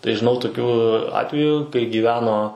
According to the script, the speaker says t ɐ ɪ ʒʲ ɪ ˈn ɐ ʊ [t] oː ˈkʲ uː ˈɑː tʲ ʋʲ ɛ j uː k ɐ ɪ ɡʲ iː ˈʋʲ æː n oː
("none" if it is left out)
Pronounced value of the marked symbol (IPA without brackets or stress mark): t